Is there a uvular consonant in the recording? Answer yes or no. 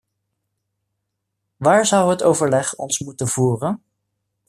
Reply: yes